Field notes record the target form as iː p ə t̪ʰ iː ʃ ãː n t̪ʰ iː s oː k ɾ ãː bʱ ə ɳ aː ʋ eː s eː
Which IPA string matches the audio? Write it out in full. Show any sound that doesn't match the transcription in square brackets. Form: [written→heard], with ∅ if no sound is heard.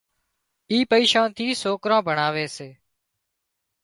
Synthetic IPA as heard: iː p ə [t̪ʰ→∅] iː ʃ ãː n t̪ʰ iː s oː k ɾ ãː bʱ ə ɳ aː ʋ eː s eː